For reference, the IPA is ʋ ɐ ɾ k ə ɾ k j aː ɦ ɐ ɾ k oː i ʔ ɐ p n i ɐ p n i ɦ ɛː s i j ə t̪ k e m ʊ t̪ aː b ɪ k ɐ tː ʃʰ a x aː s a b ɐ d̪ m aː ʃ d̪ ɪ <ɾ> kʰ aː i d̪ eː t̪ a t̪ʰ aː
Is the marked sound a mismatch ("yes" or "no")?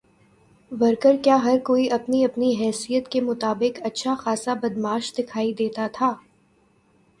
yes